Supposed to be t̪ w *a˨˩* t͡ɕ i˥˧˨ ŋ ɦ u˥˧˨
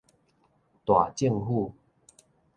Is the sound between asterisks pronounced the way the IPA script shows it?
yes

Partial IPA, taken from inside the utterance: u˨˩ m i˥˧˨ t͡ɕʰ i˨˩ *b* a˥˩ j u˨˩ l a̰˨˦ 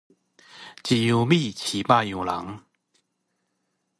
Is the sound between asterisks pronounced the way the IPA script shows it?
no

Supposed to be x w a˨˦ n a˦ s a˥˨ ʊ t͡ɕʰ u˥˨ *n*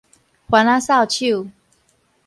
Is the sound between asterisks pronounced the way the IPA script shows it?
no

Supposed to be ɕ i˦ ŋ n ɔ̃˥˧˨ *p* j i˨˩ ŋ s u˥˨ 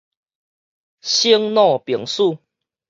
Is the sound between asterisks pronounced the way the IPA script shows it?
yes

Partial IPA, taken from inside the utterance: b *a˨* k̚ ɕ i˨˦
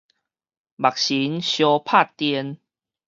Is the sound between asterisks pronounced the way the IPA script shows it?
yes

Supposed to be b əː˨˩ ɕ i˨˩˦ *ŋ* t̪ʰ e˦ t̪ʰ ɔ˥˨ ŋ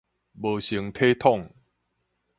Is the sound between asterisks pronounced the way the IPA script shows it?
yes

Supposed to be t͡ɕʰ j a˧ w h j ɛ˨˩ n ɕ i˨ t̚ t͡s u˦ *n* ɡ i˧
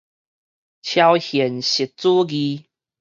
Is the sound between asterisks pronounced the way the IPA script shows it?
no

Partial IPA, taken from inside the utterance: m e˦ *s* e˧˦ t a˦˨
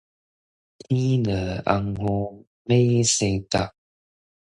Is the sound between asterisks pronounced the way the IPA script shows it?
yes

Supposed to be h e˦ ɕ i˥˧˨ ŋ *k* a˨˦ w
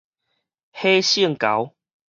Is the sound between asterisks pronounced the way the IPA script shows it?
yes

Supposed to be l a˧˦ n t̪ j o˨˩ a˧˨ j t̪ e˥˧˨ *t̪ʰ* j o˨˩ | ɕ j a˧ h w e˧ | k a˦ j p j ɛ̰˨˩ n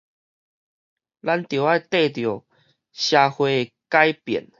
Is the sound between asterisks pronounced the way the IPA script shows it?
no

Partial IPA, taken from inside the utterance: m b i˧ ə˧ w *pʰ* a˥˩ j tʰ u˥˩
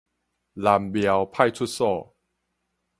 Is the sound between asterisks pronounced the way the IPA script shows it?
yes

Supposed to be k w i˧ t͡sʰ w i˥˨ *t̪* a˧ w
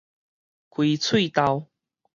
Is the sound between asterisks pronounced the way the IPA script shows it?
yes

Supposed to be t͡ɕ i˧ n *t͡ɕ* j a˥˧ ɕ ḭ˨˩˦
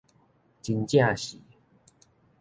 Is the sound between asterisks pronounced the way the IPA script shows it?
yes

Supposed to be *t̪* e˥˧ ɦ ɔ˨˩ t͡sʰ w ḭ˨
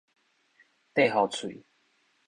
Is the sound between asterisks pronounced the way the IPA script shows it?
yes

